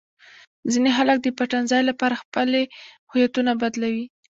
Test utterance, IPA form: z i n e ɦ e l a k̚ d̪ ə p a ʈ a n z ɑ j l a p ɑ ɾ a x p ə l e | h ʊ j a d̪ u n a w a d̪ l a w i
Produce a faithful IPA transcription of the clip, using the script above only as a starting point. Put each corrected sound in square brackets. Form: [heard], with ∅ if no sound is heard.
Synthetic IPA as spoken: z i n e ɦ [a] l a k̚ d̪ ə p a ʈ a n z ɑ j l a p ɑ ɾ a x p ə l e | h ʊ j a [t̪] u n a [b] a d̪ l a w i